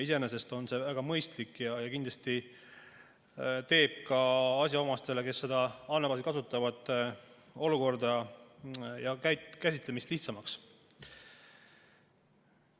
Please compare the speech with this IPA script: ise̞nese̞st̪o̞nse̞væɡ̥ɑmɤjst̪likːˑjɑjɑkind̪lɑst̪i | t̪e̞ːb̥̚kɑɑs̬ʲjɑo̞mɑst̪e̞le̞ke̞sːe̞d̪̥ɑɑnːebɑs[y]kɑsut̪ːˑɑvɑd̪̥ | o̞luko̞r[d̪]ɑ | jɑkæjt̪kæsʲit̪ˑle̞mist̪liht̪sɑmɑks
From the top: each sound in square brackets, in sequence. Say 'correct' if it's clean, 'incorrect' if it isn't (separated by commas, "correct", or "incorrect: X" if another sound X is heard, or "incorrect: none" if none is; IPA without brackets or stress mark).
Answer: incorrect: i, correct